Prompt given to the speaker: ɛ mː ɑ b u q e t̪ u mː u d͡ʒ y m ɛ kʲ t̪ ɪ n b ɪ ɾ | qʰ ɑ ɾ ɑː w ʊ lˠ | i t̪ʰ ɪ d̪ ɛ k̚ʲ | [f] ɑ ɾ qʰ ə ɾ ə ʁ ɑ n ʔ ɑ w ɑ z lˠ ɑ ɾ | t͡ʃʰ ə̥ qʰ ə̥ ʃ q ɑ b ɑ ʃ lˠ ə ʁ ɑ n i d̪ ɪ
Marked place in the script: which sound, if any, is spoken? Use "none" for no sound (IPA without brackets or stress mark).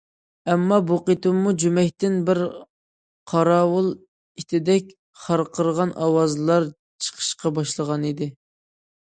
χ